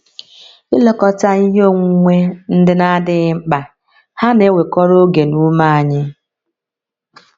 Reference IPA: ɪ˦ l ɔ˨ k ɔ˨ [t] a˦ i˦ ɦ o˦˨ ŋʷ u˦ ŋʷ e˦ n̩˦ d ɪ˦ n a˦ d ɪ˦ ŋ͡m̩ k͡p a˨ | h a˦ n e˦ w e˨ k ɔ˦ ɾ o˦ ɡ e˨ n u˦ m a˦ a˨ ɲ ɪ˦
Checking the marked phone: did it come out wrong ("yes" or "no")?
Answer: no